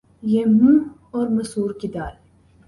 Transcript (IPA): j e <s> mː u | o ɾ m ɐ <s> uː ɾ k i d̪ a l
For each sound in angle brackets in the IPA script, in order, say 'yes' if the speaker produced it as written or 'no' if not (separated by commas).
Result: no, yes